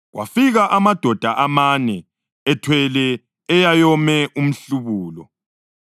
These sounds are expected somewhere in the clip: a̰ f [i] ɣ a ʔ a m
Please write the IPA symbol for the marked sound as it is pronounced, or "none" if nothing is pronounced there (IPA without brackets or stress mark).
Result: i